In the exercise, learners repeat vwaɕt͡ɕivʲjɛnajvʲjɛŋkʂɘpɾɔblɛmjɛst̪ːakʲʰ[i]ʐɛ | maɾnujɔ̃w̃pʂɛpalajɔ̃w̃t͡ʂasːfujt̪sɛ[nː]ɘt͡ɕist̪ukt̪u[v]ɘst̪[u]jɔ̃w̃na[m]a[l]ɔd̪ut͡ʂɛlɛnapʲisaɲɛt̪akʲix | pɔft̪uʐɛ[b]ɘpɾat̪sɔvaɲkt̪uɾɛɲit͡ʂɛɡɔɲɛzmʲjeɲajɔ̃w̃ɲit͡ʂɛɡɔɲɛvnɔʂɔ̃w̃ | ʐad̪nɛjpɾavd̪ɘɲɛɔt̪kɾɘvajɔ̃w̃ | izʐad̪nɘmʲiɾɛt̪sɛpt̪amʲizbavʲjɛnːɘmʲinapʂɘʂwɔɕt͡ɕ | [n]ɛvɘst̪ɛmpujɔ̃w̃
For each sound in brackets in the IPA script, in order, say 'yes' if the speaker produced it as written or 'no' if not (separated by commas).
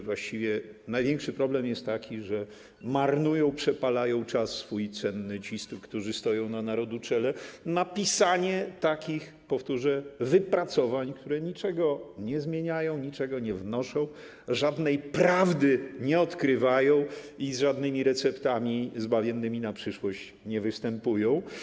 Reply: yes, yes, no, no, no, no, no, no